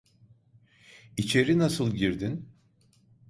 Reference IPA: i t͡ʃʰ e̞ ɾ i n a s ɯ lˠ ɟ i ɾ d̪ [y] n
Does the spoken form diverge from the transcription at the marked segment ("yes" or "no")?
yes